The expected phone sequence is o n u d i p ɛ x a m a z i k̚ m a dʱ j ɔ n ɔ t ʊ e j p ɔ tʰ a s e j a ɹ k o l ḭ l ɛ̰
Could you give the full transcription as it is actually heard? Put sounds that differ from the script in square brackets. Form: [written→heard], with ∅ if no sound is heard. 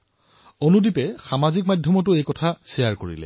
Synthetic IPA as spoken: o n u d i p ɛ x a m a z i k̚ m a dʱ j ɔ [n→m] ɔ t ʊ e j [p→k] ɔ tʰ a s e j a ɹ k o [l→ɹ] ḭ l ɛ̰